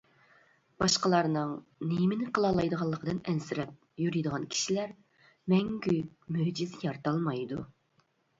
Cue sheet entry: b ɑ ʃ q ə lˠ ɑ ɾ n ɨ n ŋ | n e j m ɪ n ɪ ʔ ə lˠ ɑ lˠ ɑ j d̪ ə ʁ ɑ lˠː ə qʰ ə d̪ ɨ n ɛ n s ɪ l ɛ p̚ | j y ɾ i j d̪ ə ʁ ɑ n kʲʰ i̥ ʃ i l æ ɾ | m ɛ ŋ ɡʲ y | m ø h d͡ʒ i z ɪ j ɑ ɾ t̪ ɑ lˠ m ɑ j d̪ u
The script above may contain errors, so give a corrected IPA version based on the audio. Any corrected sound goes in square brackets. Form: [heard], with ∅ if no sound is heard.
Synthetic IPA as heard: b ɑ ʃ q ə lˠ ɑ ɾ n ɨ [∅] ŋ | n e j m ɪ n ɪ [q] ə lˠ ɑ lˠ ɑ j d̪ ə ʁ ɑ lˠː ə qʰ ə d̪ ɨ n ɛ n s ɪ [ɾ] ɛ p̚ | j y ɾ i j d̪ ə ʁ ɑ n kʲʰ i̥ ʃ i l æ ɾ | m ɛ ŋ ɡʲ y | m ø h d͡ʒ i z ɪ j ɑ ɾ t̪ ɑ lˠ m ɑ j d̪ u